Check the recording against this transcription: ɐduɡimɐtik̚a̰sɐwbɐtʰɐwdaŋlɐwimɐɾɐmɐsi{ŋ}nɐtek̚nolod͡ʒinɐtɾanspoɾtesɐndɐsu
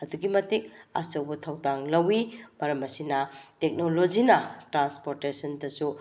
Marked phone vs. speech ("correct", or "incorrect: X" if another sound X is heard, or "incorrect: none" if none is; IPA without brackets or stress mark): incorrect: none